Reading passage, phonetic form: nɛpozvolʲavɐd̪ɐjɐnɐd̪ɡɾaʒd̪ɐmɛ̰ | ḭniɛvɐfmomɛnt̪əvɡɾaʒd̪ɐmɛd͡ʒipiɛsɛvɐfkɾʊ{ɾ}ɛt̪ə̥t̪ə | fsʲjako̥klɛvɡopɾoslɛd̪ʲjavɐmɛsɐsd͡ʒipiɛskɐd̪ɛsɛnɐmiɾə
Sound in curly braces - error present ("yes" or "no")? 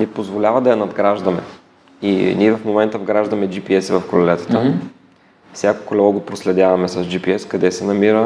yes